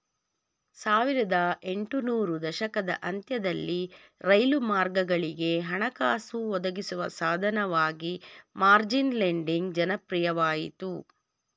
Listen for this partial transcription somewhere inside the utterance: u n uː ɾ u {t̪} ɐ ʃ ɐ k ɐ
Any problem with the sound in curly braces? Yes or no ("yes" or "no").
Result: yes